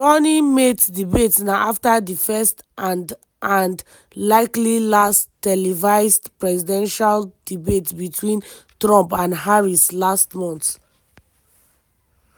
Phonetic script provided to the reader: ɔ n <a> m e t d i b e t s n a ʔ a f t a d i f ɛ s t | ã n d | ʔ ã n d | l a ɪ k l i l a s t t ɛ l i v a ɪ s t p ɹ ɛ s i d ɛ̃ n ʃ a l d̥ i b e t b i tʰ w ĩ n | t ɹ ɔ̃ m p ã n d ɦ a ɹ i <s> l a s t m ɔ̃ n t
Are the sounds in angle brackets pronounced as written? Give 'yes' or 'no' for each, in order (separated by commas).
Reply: no, yes